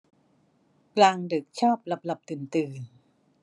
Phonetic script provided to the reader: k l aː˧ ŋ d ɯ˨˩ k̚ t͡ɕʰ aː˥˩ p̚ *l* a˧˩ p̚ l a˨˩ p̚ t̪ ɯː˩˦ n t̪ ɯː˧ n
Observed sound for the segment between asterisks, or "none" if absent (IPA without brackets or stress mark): l